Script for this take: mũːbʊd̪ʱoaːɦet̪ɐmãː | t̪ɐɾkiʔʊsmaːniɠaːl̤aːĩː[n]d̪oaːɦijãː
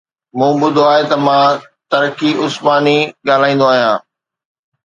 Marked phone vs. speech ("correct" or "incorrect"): correct